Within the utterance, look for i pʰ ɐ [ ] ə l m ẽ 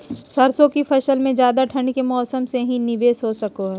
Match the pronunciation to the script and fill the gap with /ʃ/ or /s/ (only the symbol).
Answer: ʃ